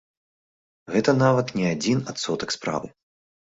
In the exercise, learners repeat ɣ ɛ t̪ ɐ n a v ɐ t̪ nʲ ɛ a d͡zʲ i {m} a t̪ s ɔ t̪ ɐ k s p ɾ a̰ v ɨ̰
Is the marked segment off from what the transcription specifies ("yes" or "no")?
yes